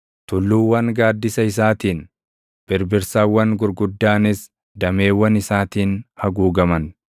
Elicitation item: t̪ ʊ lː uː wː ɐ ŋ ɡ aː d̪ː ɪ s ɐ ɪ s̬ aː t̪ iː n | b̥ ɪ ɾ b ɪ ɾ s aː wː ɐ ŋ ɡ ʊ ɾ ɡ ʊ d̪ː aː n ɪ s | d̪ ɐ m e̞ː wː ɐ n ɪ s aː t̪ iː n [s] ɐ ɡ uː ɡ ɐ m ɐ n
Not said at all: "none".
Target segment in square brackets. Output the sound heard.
h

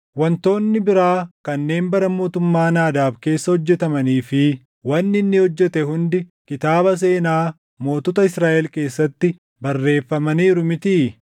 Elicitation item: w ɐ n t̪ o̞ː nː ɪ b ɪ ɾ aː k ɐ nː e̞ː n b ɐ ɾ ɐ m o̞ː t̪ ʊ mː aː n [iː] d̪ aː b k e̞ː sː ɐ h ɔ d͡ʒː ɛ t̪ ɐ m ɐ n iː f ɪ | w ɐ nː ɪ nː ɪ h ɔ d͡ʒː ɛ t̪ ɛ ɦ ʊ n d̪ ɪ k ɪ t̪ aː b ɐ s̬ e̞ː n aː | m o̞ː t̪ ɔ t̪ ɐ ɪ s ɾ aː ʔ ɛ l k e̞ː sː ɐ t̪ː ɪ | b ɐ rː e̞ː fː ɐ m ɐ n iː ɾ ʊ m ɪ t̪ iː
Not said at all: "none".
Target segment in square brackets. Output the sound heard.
aː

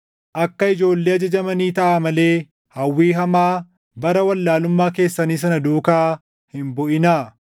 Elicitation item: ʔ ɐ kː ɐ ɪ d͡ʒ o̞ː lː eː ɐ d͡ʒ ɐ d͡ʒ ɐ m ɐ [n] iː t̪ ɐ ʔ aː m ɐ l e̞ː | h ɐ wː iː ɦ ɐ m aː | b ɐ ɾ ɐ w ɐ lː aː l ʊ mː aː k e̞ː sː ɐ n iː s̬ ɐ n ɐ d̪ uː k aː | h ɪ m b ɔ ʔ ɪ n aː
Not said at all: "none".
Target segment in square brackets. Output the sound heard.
n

